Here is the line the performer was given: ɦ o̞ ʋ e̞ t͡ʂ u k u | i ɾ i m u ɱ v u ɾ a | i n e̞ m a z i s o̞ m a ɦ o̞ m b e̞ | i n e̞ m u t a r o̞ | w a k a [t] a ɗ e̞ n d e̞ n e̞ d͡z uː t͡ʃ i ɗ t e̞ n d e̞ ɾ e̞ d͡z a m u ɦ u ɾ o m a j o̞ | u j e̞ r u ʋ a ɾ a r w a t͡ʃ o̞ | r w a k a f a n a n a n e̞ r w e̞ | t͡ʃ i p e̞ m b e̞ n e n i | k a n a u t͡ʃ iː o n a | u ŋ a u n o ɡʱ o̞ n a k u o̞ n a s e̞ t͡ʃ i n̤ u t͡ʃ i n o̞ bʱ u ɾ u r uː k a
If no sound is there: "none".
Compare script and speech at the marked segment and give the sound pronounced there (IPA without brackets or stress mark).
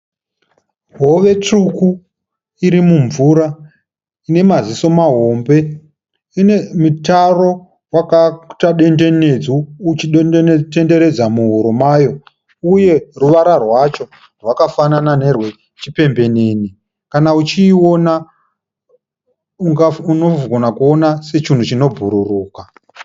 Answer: t